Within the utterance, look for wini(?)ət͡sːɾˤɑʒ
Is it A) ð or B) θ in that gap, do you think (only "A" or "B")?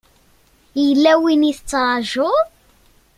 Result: B